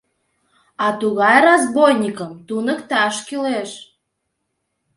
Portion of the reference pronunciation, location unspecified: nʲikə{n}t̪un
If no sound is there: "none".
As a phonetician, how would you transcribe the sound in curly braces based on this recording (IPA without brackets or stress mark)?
m